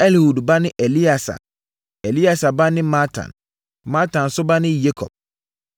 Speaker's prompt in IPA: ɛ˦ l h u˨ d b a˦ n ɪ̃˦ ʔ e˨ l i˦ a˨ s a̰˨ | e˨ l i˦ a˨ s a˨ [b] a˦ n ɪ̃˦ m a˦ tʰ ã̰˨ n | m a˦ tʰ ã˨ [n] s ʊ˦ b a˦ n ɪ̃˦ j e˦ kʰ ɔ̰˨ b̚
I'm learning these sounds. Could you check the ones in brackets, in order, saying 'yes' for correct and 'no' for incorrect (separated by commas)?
yes, yes